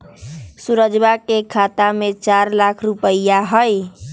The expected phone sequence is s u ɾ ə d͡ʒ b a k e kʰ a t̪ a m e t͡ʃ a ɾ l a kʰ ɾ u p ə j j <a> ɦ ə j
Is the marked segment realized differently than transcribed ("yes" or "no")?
no